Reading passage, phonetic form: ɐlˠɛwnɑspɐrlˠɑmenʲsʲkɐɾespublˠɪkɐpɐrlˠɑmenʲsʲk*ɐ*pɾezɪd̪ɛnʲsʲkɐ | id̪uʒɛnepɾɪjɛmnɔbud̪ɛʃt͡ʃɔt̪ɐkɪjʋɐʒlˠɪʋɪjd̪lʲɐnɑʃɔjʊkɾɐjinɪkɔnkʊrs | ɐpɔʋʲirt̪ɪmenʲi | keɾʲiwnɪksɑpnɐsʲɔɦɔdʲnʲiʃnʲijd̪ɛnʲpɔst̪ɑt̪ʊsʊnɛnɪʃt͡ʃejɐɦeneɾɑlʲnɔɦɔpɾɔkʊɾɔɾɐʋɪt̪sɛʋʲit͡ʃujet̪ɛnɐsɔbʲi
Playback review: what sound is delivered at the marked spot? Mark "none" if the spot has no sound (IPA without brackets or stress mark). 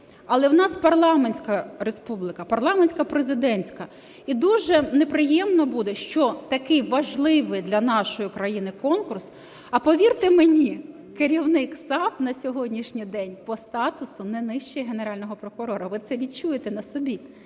ɐ